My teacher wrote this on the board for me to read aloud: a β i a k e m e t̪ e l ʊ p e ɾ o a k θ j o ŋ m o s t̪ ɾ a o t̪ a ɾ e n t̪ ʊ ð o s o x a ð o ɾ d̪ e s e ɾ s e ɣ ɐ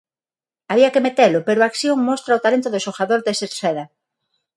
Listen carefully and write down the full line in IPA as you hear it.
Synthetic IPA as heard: a β i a k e m e t̪ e l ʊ p e ɾ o a k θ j o ŋ m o s t̪ ɾ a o t̪ a l e n t̪ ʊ ð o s o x a ð o ɾ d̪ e s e ɾ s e ð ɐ